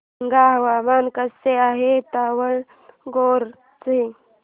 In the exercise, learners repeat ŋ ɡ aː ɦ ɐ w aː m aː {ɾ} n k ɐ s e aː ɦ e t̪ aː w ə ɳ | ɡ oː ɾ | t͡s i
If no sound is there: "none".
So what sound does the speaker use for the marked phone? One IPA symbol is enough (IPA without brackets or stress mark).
none